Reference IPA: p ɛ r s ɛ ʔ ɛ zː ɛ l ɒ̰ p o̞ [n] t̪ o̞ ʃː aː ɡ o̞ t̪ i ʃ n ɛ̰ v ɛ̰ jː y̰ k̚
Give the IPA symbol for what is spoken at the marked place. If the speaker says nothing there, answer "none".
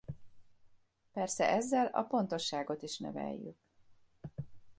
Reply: n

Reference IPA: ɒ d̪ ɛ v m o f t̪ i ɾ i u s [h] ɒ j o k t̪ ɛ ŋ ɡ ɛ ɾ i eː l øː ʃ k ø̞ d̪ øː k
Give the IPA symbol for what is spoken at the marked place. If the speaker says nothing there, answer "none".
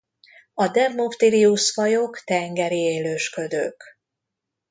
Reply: f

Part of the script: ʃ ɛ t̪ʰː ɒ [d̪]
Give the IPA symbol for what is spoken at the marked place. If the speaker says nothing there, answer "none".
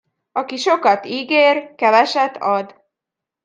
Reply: d̪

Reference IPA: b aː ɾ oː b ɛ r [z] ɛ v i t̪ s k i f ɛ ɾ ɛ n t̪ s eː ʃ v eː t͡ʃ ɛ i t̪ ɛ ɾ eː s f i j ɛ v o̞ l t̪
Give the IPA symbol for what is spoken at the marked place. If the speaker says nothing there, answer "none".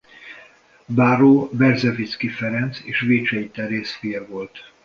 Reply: z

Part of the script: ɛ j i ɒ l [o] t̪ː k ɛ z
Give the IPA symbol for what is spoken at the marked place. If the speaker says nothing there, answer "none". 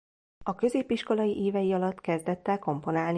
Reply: ɒ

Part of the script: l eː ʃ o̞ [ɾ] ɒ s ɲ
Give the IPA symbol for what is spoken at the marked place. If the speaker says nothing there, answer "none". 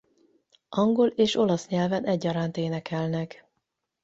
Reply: l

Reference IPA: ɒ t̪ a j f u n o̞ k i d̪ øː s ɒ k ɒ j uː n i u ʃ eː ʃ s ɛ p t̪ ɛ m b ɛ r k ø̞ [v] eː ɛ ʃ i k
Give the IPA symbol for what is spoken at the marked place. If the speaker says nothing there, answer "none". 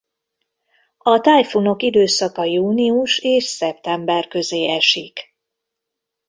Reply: z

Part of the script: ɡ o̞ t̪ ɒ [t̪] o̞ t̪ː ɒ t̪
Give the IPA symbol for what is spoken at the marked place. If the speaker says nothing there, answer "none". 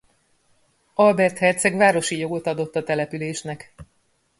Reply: d̪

